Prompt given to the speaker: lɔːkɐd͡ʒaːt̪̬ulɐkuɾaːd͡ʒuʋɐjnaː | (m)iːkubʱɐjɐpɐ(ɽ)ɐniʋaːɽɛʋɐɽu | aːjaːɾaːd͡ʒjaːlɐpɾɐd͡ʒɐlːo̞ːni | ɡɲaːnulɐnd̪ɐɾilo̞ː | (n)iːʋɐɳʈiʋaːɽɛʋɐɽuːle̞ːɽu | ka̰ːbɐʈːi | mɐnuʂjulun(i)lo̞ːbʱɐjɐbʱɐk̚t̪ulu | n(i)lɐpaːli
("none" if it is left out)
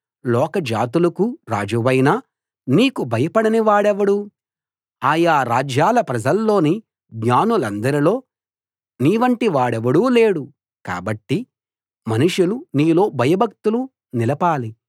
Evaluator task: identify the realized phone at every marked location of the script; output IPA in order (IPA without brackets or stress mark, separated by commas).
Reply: n, ɽ, n, iː, i